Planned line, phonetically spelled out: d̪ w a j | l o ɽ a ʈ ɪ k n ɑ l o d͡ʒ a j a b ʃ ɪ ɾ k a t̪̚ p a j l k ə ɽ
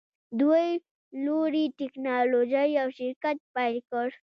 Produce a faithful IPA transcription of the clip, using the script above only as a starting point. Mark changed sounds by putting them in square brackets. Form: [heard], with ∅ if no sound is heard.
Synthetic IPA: d̪ w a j | l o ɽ [i] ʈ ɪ k n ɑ l o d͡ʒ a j a [w] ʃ ɪ ɾ k a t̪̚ p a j l k ə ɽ